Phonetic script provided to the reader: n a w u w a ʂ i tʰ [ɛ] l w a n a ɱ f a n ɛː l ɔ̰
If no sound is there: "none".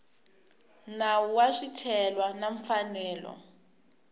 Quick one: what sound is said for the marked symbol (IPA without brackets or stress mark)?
ɛ